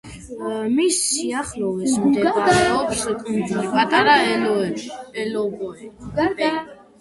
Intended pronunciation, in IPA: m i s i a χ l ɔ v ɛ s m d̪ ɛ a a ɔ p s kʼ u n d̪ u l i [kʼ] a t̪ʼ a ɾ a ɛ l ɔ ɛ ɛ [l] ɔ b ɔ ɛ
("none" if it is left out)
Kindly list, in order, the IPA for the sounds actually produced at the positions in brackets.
pʼ, l

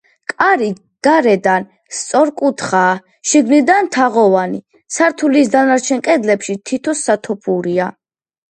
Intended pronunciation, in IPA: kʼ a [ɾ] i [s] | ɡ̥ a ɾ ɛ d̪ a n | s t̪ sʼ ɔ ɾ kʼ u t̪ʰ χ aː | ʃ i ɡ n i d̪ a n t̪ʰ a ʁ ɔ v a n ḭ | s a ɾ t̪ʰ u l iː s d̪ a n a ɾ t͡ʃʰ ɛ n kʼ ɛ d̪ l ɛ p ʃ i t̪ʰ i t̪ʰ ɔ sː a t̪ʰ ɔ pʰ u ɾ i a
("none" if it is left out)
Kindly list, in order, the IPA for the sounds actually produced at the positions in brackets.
ɾ, none

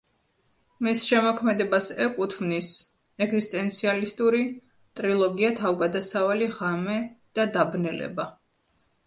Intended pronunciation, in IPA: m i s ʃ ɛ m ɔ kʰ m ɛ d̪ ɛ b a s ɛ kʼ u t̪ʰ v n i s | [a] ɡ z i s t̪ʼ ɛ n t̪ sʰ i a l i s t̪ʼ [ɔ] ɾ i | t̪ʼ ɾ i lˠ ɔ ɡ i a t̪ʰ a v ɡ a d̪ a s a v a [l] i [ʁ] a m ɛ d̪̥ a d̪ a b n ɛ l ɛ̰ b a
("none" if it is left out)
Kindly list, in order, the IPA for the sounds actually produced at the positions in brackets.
ɛ, u, l, ʁ

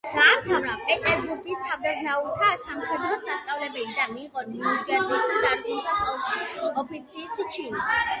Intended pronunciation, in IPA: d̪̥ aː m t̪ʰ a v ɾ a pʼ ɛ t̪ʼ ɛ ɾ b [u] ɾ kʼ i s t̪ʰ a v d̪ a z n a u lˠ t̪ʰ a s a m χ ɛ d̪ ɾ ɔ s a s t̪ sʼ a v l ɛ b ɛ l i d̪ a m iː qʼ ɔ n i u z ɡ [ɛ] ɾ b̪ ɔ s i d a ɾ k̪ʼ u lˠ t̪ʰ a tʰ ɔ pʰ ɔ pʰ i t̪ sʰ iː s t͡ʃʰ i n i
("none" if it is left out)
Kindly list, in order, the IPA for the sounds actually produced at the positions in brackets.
u, ɛ

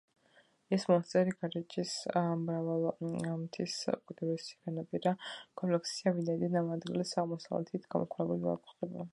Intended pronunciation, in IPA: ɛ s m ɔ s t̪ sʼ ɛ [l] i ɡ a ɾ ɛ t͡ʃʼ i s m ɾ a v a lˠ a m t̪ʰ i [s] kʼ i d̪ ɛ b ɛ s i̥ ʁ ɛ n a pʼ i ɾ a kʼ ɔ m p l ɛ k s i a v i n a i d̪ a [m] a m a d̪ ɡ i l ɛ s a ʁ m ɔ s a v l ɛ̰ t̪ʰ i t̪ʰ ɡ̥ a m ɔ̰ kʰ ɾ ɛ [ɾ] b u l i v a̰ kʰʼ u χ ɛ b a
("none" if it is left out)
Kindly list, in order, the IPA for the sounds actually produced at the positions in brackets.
ɾ, s, n, none

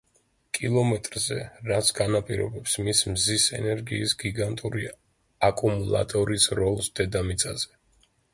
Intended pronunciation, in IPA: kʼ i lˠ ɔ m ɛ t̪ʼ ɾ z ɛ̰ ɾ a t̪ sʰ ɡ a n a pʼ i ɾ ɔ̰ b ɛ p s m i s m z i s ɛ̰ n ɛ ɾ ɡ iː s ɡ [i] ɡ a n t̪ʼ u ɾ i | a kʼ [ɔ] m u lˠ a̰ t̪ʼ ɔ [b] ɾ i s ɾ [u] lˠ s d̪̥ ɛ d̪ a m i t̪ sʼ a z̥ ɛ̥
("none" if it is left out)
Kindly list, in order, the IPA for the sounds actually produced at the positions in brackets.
i, u, none, ɔ

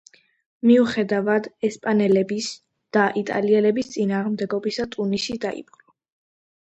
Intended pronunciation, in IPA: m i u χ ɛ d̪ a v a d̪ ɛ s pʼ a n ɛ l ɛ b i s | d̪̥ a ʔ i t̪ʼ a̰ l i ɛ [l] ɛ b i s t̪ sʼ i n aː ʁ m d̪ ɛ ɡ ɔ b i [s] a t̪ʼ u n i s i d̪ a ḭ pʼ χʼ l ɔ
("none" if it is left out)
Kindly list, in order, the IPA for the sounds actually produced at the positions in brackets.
l, s

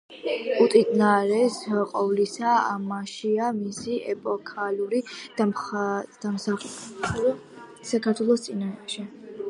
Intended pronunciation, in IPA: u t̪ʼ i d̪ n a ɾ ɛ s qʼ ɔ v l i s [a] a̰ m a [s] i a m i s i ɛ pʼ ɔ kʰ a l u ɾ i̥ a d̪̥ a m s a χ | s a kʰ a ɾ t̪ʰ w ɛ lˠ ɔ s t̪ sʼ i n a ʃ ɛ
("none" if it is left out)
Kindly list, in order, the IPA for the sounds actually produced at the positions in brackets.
a, ʃ

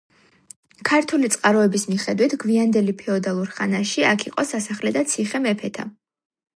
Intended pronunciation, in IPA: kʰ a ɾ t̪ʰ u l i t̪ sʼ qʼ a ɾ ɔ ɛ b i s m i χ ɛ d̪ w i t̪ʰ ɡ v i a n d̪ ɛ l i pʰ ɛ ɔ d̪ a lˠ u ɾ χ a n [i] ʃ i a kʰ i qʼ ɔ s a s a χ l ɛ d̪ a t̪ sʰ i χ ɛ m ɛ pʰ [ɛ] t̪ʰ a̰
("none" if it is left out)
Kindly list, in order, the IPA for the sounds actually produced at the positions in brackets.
a, ɛ

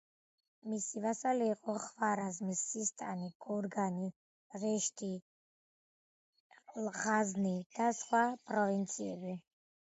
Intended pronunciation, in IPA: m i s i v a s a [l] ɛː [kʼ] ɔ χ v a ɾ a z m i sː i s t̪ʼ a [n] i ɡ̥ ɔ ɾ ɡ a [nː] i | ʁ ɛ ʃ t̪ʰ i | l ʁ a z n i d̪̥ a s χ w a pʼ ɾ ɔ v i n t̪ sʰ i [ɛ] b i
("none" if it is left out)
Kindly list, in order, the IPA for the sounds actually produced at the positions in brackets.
l, qʼ, n, n, ɛ

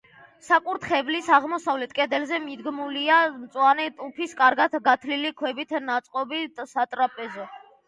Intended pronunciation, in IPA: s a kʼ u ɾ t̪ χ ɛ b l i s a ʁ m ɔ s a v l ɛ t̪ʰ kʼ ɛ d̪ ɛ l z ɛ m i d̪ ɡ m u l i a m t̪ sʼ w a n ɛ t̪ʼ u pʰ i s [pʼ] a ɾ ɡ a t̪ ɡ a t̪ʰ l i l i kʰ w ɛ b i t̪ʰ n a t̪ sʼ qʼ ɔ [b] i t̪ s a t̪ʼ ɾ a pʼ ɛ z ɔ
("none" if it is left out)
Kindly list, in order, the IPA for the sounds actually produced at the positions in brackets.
kʼ, b

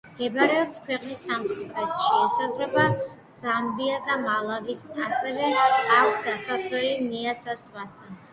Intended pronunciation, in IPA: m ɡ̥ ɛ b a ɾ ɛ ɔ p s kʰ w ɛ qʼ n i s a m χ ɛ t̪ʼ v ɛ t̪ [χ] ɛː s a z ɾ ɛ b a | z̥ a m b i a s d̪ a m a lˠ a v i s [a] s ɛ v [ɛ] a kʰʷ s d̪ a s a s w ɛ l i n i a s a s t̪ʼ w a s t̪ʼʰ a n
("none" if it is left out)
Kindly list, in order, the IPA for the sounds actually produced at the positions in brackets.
ʃ, a, ɛ

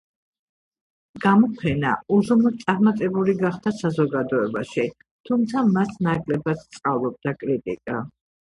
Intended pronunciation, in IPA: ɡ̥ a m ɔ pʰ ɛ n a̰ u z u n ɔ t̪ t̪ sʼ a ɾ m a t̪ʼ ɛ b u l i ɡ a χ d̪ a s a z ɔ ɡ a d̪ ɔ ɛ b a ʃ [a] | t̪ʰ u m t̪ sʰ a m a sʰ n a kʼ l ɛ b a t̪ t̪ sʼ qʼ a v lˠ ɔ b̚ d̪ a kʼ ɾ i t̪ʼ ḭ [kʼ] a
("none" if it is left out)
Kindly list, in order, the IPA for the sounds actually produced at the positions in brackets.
i, kʼ

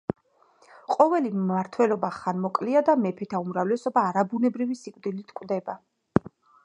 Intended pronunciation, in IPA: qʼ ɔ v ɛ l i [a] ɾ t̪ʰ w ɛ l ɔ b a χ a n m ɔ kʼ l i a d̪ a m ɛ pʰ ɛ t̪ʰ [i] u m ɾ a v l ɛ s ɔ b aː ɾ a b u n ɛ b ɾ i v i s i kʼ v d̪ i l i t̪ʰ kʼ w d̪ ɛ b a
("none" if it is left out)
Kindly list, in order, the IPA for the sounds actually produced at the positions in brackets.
a, a

